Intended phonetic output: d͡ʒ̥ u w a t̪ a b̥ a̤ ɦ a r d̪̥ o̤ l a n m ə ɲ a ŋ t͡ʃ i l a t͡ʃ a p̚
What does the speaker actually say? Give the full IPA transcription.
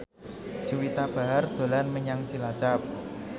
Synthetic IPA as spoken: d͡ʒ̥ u w i t̪ a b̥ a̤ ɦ a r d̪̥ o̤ l a n m ə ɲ a ŋ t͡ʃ i l a t͡ʃ a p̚